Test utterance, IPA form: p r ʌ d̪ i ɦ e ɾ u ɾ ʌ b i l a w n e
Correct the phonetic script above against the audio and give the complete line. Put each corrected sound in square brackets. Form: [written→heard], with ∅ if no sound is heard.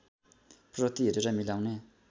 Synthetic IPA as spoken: p r ʌ [d̪→t̪] i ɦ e ɾ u ɾ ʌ [b→m] i l a w n e